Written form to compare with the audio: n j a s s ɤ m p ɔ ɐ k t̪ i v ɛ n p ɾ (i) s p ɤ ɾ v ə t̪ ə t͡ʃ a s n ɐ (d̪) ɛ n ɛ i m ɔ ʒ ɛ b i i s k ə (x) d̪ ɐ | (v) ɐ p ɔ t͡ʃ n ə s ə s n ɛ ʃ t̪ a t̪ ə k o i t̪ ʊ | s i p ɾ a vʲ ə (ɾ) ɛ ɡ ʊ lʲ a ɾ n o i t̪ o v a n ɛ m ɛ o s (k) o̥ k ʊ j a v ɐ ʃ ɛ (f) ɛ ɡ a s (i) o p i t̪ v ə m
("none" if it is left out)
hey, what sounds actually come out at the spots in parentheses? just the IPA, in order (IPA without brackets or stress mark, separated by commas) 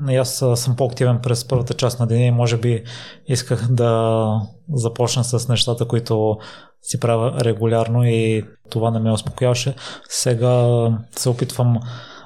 ɛ, d̪, x, z, ɾ, p, s, ɛ